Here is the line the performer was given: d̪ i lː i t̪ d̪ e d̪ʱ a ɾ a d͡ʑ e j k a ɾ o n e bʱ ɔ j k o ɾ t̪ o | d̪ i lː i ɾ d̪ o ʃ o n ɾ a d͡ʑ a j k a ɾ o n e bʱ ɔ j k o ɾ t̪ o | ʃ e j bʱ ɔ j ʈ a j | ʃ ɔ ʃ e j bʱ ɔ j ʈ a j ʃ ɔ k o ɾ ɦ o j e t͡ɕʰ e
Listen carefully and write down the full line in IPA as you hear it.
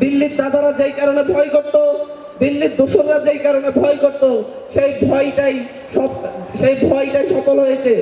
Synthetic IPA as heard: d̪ i lː i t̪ d̪ a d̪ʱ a ɾ a d͡ʑ e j k a ɾ o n e bʱ ɔ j k o ɾ t̪ o | d̪ i lː i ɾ d̪ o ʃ o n ɾ a d͡ʑ e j k a ɾ o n e bʱ ɔ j k o ɾ t̪ o | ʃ e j bʱ ɔ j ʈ a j | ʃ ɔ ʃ e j bʱ ɔ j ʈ a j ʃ ɔ k o l ɦ o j e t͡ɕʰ e